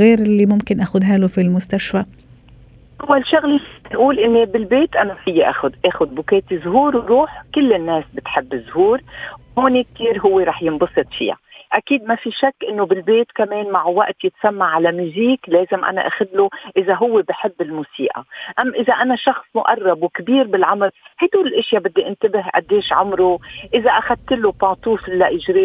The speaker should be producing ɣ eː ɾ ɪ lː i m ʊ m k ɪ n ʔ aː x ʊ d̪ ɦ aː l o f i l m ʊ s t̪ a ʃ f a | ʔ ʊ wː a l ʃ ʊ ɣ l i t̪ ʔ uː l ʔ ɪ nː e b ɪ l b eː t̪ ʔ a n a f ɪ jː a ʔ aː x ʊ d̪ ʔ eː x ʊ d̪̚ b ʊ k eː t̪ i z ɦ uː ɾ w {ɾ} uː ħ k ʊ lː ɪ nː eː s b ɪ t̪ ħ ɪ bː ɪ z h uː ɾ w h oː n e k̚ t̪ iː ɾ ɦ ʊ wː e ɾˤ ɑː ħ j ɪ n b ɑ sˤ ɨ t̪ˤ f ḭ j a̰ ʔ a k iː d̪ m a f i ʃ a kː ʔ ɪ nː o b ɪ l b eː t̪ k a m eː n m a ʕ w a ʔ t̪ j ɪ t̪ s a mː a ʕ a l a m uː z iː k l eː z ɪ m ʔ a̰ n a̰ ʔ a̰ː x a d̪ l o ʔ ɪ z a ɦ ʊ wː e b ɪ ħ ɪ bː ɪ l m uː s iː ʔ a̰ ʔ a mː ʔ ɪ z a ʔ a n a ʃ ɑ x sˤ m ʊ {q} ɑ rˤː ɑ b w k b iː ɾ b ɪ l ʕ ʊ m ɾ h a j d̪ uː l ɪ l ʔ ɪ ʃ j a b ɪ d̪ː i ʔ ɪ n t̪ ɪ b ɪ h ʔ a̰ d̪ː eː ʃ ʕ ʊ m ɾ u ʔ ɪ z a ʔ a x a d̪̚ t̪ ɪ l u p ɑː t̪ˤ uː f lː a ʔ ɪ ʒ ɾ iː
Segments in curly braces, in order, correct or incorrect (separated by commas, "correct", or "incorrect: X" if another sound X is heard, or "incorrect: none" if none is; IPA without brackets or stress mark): correct, incorrect: ʔ